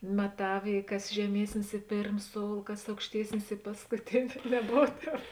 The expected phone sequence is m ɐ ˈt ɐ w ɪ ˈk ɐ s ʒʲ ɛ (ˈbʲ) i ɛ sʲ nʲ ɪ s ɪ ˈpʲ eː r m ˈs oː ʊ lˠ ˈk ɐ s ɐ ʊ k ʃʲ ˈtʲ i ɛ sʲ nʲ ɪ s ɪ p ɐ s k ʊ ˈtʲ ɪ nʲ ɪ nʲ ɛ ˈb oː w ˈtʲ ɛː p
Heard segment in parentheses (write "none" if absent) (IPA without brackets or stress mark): mʲ